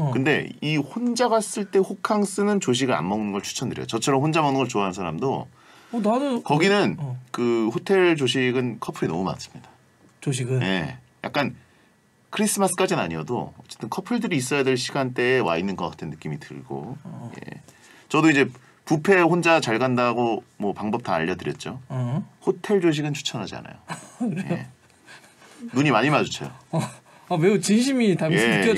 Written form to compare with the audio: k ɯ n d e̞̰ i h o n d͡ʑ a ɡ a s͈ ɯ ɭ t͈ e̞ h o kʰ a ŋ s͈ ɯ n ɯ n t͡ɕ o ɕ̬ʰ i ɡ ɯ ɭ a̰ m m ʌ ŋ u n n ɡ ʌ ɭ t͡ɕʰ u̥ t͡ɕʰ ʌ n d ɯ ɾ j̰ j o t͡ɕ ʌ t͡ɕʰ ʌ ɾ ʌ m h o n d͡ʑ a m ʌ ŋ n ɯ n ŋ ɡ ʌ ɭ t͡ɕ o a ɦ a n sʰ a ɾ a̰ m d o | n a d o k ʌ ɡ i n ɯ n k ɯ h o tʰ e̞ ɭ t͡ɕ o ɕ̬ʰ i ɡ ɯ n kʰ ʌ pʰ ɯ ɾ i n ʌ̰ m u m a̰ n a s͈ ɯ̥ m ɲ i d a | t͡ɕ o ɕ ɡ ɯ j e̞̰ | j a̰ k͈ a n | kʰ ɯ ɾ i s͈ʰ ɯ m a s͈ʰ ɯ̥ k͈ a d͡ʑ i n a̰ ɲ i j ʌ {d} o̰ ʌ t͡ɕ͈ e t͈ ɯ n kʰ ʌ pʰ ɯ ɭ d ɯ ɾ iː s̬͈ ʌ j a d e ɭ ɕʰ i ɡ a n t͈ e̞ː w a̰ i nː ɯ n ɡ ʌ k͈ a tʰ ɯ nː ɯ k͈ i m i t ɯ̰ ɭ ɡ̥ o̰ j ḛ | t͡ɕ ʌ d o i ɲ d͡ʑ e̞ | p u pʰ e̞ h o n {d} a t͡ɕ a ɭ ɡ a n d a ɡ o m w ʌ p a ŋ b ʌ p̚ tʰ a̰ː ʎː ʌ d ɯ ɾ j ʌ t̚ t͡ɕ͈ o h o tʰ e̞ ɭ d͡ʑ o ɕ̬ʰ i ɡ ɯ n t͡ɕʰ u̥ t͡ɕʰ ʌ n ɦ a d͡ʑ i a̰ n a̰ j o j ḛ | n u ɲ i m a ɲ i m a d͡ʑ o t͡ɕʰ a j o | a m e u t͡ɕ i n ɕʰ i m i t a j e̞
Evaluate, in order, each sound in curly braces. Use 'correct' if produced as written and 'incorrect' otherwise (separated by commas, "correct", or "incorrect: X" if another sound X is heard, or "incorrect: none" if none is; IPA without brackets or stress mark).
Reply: correct, incorrect: d͡ʑ